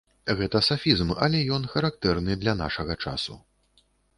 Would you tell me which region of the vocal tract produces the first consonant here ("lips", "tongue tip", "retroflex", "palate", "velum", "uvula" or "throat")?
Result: velum